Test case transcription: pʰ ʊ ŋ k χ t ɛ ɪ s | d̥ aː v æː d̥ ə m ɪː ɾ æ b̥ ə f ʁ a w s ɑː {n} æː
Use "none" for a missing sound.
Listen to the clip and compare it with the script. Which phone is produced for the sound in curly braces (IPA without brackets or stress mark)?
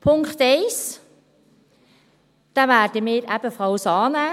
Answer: n